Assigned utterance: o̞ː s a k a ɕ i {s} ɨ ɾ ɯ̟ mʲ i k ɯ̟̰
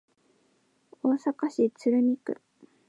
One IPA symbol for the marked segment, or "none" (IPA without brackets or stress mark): t͡s